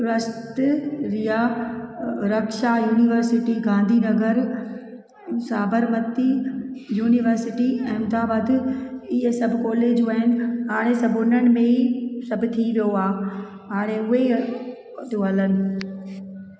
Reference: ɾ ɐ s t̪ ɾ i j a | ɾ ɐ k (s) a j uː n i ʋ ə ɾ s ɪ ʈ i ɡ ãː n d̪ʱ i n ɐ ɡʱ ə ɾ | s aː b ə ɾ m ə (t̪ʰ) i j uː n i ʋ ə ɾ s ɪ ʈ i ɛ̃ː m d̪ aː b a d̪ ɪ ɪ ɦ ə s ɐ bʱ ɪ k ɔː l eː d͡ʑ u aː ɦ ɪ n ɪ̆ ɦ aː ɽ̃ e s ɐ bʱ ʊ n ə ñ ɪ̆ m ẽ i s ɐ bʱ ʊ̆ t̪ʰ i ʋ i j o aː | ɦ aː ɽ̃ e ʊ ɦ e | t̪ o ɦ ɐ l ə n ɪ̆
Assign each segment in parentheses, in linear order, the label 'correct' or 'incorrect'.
incorrect, incorrect

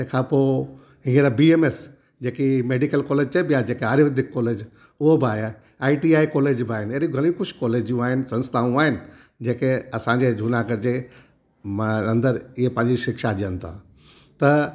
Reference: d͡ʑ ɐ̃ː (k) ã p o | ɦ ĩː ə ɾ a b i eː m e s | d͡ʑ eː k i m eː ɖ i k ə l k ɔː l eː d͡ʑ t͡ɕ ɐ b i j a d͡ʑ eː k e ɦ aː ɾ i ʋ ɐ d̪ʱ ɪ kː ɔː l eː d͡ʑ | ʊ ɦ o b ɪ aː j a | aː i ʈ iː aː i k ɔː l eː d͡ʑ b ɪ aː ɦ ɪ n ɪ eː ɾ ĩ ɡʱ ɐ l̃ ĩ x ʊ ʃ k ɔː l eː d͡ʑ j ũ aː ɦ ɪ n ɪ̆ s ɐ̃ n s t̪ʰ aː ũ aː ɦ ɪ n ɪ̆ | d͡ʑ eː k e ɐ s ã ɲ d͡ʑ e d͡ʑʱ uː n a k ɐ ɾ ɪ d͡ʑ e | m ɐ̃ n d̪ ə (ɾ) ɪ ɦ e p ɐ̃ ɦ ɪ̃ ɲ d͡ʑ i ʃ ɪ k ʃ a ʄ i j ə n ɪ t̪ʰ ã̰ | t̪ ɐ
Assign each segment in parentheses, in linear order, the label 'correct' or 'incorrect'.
incorrect, correct

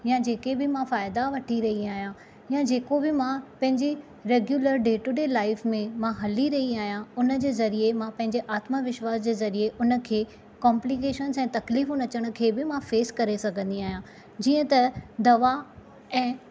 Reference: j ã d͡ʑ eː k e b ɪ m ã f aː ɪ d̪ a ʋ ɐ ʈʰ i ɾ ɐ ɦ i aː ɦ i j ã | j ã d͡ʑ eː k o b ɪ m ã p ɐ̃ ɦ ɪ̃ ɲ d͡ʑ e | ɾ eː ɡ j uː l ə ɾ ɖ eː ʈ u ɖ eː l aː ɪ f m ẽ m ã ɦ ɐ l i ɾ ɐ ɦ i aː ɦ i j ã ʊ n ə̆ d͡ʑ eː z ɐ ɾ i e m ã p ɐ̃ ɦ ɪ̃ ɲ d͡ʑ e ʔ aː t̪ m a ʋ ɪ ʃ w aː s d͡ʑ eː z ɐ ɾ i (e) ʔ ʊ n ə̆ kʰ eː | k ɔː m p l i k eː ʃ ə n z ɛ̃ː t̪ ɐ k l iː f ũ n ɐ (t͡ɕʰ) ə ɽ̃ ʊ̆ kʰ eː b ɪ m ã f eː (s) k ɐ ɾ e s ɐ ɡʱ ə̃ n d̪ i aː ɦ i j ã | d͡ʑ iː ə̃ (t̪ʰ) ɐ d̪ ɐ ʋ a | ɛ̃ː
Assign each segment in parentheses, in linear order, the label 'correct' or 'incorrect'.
correct, incorrect, correct, incorrect

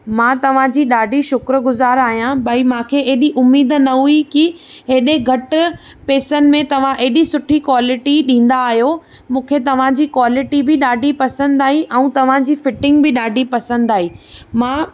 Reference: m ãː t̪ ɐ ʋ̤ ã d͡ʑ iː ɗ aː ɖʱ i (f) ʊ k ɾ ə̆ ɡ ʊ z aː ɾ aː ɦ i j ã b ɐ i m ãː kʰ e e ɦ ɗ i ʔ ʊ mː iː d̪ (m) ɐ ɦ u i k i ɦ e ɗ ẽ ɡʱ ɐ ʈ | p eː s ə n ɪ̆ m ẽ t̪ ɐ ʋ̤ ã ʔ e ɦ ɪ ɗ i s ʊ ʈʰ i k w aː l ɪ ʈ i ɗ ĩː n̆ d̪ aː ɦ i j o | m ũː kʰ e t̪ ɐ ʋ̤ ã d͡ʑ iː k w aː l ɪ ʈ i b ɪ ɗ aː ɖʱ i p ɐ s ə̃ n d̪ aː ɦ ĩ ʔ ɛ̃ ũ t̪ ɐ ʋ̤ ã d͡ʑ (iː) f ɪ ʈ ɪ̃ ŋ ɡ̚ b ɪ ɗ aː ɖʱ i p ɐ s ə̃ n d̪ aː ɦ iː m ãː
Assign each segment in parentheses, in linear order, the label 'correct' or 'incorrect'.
incorrect, incorrect, correct

